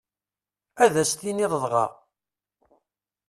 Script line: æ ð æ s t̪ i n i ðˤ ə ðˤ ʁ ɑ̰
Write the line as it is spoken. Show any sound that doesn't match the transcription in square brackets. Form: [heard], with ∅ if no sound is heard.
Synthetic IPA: æ ð æ s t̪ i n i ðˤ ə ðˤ ʁ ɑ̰